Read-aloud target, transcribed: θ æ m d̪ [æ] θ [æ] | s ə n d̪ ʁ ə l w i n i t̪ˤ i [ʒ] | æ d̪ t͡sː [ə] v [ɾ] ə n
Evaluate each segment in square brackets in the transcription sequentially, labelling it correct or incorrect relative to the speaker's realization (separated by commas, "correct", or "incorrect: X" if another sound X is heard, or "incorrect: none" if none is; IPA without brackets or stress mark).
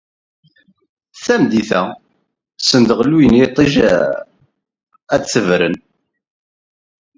incorrect: i, correct, correct, correct, correct